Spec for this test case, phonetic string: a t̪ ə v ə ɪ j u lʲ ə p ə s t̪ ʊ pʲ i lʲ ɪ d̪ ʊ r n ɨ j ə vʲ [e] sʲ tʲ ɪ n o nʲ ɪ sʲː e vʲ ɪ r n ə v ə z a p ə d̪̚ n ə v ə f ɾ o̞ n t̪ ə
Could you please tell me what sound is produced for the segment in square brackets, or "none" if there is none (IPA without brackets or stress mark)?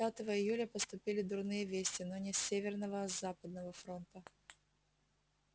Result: e